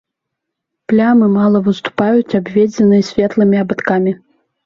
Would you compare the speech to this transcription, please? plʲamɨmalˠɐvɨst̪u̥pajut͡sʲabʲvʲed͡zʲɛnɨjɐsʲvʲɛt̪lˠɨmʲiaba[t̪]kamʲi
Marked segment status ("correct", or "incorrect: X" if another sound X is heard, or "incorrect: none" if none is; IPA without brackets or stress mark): correct